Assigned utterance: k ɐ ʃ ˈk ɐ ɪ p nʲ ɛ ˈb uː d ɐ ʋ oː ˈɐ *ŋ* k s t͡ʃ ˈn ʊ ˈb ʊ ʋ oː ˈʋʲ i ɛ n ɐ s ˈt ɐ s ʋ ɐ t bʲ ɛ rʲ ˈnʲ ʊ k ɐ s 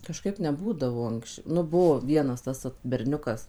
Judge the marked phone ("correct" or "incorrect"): correct